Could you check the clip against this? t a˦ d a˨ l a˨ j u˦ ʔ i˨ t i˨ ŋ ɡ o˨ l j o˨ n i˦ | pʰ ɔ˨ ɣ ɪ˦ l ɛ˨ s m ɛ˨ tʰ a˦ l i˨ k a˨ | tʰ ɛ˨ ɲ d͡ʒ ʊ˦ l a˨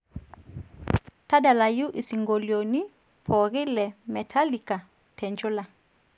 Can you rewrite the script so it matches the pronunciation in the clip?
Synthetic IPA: t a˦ d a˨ l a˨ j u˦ ʔ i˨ s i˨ ŋ ɡ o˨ l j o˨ n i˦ | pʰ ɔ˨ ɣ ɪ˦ l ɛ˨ m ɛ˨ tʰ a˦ l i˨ k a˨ | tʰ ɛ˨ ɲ d͡ʒ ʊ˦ l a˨

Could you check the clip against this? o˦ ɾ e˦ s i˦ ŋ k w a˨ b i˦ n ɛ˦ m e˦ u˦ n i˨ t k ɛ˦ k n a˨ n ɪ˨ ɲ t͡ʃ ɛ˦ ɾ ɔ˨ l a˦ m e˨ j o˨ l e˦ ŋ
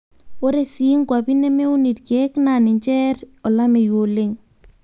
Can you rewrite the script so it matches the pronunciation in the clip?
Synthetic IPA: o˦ ɾ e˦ s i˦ ŋ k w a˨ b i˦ n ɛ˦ m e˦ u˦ n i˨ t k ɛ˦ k n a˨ n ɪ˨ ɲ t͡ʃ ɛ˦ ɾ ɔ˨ l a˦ m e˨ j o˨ l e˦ ŋ

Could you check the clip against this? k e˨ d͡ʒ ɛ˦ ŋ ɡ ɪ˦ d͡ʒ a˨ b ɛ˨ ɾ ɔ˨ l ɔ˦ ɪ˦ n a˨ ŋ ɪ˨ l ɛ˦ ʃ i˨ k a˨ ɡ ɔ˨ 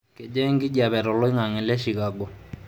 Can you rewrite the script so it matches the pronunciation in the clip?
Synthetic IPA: k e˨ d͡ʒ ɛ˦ ŋ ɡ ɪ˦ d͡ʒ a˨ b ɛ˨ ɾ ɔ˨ l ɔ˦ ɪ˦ ŋ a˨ ŋ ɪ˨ l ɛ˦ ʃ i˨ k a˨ ɡ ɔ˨

